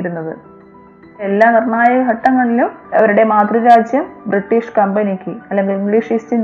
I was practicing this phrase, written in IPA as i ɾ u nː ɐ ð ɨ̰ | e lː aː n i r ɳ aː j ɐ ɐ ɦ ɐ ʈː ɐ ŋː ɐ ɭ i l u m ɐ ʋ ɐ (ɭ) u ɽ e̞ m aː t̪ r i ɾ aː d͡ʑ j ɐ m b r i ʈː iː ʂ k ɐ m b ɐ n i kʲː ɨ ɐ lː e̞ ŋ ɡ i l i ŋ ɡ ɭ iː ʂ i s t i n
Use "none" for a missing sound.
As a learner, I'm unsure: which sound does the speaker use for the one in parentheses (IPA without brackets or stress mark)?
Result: ɾ